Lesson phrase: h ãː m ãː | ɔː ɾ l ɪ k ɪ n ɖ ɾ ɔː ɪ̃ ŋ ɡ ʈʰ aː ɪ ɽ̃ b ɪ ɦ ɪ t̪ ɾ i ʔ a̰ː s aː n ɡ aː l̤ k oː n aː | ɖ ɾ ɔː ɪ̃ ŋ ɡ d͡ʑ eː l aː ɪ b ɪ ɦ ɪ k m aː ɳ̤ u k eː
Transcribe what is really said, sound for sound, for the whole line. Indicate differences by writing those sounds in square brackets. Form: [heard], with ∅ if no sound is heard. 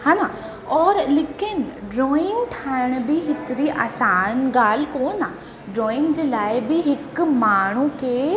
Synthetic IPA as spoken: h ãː [n] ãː | ɔː ɾ l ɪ k ɪ n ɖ ɾ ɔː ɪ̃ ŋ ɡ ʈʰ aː ɪ ɽ̃ b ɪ ɦ ɪ t̪ ɾ i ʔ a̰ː s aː n ɡ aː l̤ k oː n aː | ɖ ɾ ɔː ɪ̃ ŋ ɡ d͡ʑ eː l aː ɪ b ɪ ɦ ɪ k m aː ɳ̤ u k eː